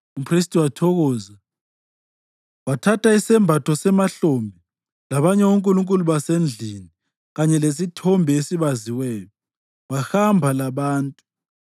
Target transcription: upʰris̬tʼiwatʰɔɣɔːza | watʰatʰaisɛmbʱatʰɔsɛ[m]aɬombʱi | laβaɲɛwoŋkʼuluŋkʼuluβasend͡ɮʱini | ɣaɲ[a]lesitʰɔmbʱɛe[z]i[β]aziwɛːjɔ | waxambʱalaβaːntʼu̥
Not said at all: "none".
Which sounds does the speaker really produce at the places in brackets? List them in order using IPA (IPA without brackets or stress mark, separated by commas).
m, ɛ, s, β